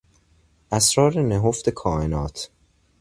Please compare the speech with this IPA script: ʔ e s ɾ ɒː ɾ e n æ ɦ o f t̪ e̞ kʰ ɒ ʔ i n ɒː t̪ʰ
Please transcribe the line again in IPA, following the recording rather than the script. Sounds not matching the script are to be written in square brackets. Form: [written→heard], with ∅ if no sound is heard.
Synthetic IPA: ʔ [e→æ] s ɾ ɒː ɾ e n [æ→e] ɦ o f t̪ e̞ kʰ [ɒ→ɒː] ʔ [i→e] n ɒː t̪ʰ